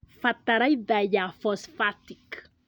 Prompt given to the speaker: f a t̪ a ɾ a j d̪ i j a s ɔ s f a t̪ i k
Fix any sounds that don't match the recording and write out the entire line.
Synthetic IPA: f a t̪ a ɾ a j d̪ a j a f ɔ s f a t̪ i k

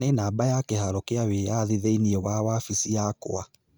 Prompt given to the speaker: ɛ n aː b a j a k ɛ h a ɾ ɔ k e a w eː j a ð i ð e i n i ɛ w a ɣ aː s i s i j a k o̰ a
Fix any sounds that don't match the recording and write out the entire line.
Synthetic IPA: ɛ n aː b a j a k ɛ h a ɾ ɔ k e a w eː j a ð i ð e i n i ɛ w a w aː f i s i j a k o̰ a

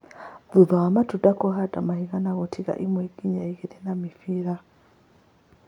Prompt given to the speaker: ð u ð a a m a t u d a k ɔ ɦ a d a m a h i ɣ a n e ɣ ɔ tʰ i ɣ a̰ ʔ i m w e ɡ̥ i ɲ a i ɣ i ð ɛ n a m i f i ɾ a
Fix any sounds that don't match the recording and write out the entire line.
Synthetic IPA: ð u ð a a m a t u d a k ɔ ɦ a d a m a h i ɣ a n a ɣ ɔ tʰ i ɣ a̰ ʔ i m w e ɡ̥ i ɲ a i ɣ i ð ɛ n a m i f i ɾ a

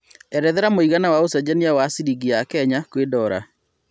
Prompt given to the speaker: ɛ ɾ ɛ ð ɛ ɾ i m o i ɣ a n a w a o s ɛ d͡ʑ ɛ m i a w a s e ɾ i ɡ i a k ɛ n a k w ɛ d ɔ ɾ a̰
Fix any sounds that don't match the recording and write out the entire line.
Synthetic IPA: ɛ ɾ ɛ ð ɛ ɾ a m o i ɣ a n a w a o s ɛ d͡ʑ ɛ n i a w a s i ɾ i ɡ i a k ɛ ɲ a k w e d ɔ ɾ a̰

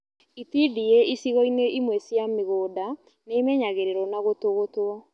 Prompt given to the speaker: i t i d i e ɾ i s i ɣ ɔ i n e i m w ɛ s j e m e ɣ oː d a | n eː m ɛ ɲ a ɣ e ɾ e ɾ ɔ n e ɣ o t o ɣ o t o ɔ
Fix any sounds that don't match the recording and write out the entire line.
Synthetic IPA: i t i d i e i s i ɣ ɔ i n e i m w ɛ s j a m e ɣ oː d a | n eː m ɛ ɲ a ɣ e ɾ e ɾ ɔ n a ɣ o t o ɣ o t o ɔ

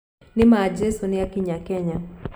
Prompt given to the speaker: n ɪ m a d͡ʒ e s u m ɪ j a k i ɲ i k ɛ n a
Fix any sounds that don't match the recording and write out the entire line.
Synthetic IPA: n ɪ m a d͡ʒ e s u n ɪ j a k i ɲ a k ɛ ɲ a

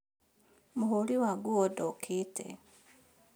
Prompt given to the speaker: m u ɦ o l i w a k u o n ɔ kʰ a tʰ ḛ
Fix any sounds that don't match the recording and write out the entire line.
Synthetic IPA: m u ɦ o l i w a ɡ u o d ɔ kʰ i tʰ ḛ

